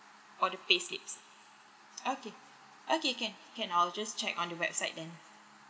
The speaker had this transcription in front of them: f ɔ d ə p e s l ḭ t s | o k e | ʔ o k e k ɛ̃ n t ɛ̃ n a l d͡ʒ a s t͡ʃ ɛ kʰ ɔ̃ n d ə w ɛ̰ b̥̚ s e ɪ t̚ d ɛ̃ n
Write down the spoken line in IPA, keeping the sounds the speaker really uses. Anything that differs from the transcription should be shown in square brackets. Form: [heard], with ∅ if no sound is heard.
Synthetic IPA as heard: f ɔ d ə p e s l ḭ [p] s | o k e | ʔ o k e k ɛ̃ n [k] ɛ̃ n a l d͡ʒ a s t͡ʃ ɛ [k] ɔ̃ n d ə w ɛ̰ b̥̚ s [a] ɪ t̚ d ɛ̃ n